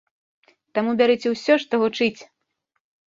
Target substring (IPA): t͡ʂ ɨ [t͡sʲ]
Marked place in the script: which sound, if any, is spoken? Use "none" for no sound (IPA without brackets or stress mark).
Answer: t͡sʲ